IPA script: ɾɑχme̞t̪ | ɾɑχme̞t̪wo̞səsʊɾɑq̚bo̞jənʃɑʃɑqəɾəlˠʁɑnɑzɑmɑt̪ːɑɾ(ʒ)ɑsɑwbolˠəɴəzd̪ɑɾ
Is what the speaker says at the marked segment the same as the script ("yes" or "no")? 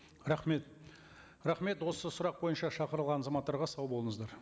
no